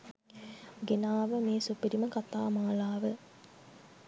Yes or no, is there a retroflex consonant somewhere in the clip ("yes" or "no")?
no